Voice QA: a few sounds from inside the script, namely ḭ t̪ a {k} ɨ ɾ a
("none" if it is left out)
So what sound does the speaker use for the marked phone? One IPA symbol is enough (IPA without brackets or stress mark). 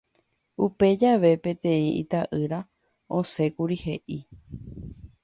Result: ʔ